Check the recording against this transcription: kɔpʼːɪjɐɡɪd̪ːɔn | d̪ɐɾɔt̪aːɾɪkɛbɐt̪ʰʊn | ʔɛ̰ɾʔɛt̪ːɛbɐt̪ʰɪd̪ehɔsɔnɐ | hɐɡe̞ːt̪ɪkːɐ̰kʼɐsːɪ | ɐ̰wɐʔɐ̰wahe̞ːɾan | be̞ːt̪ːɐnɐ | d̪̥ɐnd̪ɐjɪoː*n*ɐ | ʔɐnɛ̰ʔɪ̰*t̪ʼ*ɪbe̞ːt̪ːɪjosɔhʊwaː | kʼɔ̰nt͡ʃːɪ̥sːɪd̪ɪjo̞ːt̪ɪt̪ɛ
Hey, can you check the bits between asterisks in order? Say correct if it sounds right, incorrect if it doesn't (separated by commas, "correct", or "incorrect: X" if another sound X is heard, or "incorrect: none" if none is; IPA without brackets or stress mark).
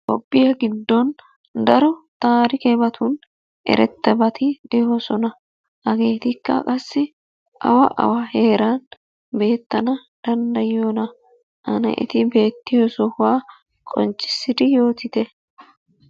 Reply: correct, incorrect: t̪